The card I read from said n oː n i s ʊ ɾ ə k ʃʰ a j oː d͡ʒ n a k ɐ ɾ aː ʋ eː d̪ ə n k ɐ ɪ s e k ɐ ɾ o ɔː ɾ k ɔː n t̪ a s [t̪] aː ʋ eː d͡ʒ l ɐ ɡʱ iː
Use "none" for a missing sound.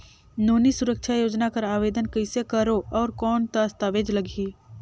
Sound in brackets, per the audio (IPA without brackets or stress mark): t̪